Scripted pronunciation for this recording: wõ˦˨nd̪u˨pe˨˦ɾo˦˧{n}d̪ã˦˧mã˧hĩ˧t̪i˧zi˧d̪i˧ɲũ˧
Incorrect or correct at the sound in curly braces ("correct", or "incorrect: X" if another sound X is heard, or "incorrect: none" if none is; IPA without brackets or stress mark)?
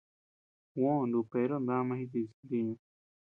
correct